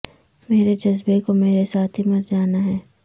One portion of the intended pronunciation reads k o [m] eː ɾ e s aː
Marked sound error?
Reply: no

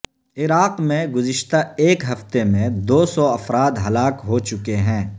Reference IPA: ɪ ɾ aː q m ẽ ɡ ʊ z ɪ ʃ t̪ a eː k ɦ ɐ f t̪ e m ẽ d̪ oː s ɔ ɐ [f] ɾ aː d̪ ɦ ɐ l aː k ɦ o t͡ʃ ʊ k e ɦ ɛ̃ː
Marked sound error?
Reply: no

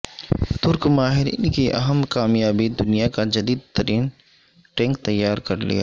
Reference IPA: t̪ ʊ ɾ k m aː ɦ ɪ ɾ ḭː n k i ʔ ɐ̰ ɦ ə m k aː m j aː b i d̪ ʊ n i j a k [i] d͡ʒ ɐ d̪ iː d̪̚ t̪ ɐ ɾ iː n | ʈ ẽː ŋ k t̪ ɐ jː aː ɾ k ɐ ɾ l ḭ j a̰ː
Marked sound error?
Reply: yes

